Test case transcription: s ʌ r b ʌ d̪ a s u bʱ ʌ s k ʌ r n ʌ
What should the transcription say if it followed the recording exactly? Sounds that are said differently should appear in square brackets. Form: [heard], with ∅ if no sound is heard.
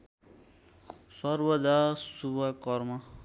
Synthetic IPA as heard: s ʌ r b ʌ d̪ a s u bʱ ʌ [∅] k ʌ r [m] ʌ